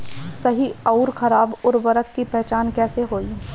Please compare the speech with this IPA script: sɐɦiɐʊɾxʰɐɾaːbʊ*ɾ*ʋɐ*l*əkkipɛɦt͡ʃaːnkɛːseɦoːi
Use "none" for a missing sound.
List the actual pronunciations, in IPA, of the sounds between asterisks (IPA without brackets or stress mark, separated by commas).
ɾ, ɾ